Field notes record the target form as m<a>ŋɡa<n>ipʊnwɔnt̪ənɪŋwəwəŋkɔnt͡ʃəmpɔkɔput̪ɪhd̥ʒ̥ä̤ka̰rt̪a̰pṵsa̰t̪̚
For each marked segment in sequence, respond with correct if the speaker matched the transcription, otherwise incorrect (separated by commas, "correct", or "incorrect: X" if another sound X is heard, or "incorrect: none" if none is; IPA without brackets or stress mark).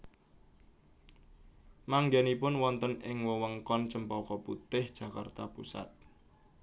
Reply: correct, correct